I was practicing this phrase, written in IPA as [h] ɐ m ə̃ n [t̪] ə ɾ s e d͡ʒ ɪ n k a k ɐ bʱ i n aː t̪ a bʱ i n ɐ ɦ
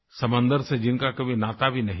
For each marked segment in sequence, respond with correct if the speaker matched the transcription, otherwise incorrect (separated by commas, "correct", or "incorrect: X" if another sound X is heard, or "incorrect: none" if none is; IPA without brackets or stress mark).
incorrect: s, incorrect: d̪